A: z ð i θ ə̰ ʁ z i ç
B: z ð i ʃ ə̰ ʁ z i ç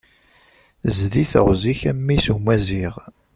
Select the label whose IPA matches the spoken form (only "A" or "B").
A